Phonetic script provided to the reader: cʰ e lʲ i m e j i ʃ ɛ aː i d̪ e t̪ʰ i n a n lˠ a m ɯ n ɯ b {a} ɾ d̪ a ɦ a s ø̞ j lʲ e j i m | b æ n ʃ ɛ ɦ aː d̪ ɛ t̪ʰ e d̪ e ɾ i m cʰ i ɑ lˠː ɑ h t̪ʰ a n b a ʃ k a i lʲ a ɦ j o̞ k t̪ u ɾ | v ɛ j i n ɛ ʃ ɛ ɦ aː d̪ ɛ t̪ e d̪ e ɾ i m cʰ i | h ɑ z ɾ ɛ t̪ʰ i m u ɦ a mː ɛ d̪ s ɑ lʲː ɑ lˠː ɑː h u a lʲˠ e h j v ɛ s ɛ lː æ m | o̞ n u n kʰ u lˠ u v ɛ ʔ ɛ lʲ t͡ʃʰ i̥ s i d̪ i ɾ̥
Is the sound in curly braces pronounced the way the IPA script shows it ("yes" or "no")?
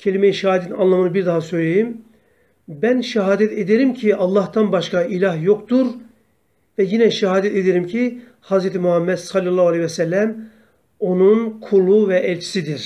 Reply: no